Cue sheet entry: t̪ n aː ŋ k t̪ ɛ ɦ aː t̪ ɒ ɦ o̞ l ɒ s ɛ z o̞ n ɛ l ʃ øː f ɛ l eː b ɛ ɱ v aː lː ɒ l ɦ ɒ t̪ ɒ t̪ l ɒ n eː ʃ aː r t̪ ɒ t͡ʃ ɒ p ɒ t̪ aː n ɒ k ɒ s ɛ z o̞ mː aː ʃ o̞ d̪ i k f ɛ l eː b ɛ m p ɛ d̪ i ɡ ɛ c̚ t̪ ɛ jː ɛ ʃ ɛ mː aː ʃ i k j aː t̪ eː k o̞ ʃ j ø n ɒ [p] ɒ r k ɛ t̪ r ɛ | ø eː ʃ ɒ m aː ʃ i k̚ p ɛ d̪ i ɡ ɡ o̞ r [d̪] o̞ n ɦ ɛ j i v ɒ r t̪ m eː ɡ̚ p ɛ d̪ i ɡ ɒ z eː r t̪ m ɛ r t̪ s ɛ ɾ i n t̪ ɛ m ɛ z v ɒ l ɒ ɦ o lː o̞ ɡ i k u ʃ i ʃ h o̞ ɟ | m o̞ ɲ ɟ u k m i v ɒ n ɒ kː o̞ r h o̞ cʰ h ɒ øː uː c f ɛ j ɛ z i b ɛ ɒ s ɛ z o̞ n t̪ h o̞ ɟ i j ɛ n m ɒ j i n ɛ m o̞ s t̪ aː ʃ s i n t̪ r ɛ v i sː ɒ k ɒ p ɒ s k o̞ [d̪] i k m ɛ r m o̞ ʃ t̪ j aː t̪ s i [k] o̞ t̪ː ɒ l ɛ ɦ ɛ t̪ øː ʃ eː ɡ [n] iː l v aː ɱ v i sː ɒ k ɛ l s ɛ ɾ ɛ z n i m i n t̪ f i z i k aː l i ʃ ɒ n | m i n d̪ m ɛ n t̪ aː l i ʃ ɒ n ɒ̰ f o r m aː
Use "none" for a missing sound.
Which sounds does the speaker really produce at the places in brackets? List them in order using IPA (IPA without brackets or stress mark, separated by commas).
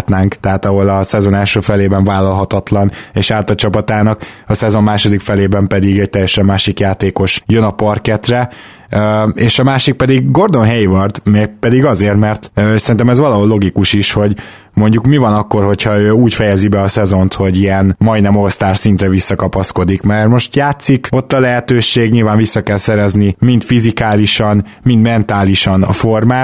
p, d̪, d̪, k, ɲ